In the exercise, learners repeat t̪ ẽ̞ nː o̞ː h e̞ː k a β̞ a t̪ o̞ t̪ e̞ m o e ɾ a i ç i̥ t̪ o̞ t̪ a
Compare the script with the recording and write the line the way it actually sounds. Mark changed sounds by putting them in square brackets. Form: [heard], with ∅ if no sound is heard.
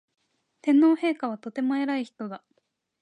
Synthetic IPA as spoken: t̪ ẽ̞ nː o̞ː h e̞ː k a β̞ a t̪ o̞ t̪ e̞ m o e ɾ a i ç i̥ t̪ o̞ [d̪] a